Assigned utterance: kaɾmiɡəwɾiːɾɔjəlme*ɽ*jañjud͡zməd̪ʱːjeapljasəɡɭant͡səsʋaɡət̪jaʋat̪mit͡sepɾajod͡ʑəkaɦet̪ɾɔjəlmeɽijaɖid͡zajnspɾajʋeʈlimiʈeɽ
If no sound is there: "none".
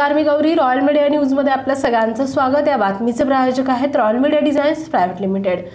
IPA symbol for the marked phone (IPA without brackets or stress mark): ɽ